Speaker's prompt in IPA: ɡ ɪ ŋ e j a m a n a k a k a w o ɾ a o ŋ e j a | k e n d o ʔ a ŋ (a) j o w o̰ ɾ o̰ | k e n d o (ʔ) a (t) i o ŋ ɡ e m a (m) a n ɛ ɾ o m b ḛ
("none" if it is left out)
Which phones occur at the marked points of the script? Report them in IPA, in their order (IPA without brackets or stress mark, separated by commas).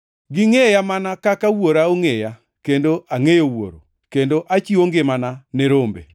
e, ʔ, t͡ʃ, n